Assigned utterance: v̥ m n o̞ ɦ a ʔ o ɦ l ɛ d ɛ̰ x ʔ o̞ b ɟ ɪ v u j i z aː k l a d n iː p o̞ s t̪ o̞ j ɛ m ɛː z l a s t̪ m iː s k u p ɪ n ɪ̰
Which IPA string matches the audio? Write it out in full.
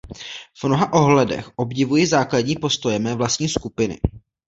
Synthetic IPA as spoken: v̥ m n o̞ ɦ a ʔ o ɦ l ɛ d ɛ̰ x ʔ o̞ b ɟ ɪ v u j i z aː k l a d ɲ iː p o̞ s t̪ o̞ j ɛ m ɛː v l a s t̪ ɲ iː s k u p ɪ n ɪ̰